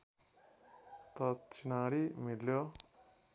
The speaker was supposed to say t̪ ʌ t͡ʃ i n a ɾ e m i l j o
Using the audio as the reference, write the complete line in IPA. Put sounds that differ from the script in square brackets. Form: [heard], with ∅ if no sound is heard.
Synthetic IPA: t̪ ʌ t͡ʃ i n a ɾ [i] m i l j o